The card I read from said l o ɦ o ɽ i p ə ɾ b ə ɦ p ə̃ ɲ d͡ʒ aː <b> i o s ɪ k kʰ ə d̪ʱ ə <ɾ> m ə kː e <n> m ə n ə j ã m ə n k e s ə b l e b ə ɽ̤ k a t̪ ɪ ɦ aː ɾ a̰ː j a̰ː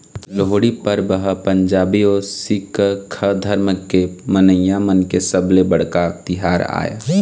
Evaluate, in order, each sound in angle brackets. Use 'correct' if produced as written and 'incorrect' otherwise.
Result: correct, correct, incorrect: none

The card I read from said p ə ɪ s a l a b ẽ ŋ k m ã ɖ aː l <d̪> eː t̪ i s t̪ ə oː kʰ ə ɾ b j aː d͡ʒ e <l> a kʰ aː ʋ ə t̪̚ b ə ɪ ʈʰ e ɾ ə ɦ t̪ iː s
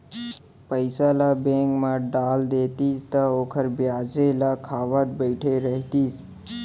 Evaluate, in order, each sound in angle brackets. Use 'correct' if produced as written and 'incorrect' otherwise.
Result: correct, correct

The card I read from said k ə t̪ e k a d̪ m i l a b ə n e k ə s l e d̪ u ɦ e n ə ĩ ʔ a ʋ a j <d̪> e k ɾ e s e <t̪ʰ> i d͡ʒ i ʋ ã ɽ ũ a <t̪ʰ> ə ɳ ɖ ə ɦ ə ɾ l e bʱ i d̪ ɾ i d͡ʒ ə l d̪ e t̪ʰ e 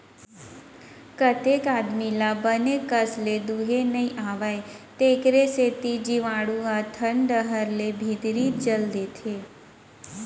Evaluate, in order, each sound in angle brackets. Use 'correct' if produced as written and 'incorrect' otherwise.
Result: incorrect: t̪, incorrect: t̪, correct

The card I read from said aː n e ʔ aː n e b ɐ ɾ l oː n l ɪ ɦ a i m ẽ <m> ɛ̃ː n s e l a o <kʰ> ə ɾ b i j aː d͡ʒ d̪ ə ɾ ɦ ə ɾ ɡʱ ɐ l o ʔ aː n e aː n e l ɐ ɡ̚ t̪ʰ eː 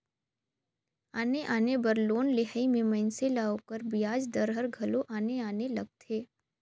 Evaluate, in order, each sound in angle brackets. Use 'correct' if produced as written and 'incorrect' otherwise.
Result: correct, incorrect: k

